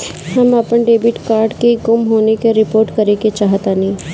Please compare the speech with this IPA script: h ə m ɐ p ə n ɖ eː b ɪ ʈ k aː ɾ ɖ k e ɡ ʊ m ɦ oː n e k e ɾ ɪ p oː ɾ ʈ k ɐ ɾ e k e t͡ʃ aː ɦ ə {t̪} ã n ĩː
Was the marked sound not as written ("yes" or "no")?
no